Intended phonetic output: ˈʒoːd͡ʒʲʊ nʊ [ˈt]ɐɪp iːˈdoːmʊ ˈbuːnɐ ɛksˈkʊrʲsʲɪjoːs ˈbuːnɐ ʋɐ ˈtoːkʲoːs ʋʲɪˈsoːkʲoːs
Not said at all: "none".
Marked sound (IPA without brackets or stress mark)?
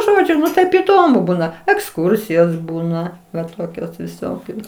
t